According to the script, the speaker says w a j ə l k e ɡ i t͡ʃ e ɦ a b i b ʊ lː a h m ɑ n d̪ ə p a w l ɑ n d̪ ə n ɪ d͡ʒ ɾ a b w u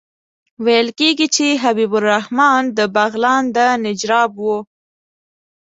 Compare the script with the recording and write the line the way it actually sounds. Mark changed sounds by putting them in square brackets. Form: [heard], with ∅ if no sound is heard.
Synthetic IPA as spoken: w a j ə l k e ɡ i t͡ʃ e ɦ a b i b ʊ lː a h m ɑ n d̪ ə [b] a [ɣ] l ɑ n d̪ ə n ɪ d͡ʒ ɾ [ɑ] b w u